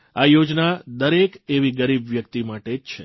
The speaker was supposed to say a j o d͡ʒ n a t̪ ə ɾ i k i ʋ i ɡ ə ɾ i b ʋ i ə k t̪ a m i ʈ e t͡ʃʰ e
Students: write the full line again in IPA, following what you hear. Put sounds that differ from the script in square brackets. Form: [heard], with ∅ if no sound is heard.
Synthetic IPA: a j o d͡ʒ n a [d̪] ə ɾ [e] k [e] ʋ i ɡ ə ɾ i b ʋ [j] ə k t̪ [i] m [a] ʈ e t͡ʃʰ e

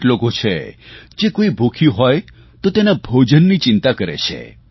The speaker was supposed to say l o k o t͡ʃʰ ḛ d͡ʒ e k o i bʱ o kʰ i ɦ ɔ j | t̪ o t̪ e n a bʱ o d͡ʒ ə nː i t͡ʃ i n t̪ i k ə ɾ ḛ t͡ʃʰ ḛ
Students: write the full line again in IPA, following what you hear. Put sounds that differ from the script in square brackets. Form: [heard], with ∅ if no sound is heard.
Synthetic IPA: l o k o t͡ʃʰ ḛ d͡ʒ e k o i bʱ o kʰ i ɦ ɔ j | t̪ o t̪ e n a bʱ o d͡ʒ ə nː i t͡ʃ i n t̪ [a] k ə ɾ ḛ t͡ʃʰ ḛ

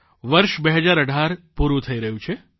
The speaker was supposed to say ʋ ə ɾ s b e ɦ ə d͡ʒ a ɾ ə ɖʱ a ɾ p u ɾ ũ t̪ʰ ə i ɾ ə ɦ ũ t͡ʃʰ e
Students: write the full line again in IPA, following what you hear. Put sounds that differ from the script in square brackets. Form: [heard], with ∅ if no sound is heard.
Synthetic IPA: ʋ ə ɾ [ʃ] b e ɦ ə d͡ʒ a ɾ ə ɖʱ a ɾ p u ɾ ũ t̪ʰ ə i ɾ ə ɦ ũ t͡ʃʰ e

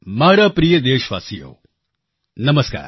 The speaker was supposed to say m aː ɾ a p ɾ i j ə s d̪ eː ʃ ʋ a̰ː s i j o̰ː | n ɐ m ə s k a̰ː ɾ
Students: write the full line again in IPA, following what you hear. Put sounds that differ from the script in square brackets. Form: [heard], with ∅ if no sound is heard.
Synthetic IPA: m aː ɾ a p ɾ i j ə [∅] d̪ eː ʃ ʋ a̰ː s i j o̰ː | n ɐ m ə s k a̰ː ɾ

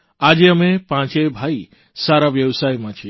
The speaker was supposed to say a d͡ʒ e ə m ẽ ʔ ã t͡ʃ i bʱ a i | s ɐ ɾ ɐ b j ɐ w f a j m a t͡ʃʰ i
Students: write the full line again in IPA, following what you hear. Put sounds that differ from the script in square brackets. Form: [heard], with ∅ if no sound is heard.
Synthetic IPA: a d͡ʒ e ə m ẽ [p] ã t͡ʃ [e] bʱ a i | s [a] ɾ [a] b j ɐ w [s] a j m a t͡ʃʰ i

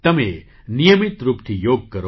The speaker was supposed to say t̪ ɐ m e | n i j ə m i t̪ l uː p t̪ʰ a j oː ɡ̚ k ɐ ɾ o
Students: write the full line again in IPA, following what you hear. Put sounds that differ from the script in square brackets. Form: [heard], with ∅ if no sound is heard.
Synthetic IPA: t̪ ɐ m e | n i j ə m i t̪ [ɾ] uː p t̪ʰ [i] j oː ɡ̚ k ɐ ɾ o

